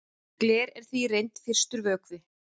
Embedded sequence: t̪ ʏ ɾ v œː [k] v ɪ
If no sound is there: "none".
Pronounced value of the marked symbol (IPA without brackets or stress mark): k